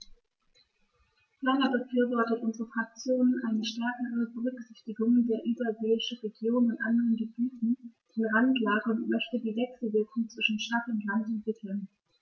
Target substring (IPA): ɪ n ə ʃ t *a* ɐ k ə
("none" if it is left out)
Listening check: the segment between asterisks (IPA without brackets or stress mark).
ɛ